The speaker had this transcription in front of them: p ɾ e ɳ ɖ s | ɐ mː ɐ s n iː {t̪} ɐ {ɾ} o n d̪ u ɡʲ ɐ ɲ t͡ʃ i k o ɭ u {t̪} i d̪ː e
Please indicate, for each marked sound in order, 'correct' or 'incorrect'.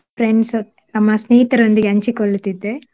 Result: correct, correct, correct

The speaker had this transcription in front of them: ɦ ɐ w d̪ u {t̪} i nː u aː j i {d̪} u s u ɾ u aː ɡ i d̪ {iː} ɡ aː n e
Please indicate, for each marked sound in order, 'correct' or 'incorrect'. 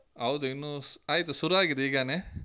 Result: incorrect: none, incorrect: t̪, correct

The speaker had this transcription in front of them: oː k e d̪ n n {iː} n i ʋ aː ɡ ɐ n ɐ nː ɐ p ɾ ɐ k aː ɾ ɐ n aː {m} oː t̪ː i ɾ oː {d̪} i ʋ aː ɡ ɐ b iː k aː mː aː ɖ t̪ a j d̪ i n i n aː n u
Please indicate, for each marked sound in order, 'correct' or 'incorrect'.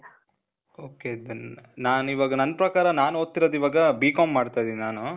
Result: incorrect: aː, incorrect: n, correct

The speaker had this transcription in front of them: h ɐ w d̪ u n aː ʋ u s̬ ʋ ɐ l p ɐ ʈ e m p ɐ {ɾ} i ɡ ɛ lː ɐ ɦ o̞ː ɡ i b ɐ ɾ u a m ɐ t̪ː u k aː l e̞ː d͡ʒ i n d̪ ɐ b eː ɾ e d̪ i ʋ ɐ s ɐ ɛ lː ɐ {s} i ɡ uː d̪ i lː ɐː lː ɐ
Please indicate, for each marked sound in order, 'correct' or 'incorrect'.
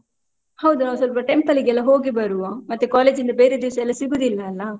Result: incorrect: l, correct

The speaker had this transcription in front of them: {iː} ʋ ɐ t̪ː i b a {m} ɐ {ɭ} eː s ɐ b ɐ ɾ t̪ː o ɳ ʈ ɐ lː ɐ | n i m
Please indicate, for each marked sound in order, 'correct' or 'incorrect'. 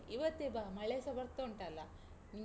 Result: incorrect: i, correct, correct

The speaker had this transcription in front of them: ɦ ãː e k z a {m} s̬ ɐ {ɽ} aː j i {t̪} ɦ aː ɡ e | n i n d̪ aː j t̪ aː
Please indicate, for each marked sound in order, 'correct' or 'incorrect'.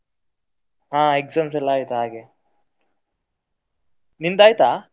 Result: correct, incorrect: l, correct

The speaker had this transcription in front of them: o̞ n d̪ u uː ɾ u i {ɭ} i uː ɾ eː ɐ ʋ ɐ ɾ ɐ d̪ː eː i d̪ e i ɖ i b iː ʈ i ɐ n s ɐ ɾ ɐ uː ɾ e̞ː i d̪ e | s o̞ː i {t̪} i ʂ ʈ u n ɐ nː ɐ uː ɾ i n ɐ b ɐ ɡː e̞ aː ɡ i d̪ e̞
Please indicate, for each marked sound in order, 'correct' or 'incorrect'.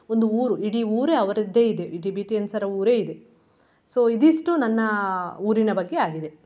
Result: incorrect: ɽ, incorrect: d̪

